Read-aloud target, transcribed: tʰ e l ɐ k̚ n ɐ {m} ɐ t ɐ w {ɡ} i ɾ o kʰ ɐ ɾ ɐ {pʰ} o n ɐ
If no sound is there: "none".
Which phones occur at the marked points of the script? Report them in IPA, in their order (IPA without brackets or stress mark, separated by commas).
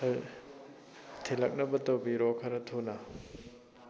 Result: b, b, tʰ